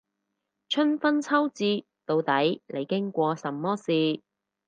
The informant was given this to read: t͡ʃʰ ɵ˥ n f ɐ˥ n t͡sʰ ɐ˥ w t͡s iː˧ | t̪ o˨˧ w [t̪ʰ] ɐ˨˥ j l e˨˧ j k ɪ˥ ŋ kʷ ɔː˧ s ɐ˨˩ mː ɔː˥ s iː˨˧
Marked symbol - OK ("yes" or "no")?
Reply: no